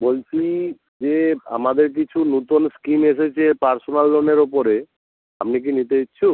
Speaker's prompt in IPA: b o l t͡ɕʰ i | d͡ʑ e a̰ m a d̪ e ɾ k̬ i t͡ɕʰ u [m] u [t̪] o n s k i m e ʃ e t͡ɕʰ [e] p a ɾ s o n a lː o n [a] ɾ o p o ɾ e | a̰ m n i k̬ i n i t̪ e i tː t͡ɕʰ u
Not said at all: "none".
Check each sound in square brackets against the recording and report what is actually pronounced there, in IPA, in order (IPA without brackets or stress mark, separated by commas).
n, t̪, e, e